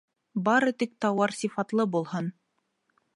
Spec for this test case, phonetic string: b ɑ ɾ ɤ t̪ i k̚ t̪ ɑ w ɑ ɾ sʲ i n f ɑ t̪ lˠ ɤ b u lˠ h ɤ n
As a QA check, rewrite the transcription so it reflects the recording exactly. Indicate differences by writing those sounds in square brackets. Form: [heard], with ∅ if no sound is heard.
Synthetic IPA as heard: b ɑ ɾ ɤ t̪ i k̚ t̪ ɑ w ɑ ɾ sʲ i [∅] f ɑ t̪ lˠ ɤ b u lˠ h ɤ n